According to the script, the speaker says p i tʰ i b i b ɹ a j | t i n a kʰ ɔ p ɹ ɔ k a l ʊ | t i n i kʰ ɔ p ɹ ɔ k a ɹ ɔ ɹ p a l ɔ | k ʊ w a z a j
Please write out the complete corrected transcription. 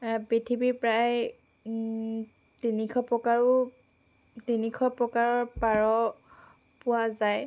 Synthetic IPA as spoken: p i tʰ i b i p ɹ a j | t i n i kʰ ɔ p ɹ ɔ k a ɹ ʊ | t i n i kʰ ɔ p ɹ ɔ k a ɹ ɔ ɹ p a ɹ ɔ | p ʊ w a z a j